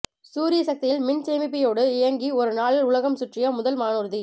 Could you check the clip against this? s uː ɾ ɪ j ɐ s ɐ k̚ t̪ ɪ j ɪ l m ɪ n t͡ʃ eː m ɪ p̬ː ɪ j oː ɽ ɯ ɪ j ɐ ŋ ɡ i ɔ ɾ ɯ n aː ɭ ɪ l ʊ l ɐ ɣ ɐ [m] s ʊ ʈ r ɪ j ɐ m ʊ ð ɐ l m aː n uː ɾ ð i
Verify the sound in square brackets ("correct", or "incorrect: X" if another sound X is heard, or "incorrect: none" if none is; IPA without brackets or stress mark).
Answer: correct